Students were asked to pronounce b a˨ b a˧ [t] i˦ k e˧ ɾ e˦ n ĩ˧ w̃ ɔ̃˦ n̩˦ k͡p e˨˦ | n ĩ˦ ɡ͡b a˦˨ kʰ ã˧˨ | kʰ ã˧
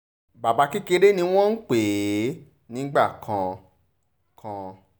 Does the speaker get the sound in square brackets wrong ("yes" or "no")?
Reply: yes